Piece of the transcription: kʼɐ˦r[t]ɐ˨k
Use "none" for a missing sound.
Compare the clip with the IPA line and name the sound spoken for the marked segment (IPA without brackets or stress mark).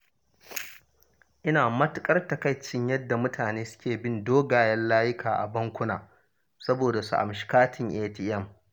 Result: t